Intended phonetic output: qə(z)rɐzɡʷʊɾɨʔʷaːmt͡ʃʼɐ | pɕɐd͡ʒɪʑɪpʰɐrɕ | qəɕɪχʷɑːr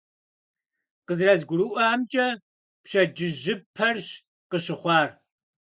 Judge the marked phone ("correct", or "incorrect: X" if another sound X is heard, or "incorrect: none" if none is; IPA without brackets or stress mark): correct